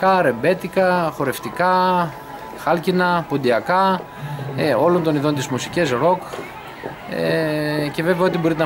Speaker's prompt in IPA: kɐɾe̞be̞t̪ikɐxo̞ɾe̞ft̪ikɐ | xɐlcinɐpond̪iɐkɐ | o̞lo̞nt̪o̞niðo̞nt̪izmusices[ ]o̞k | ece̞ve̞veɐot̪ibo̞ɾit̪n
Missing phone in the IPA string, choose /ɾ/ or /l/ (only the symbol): ɾ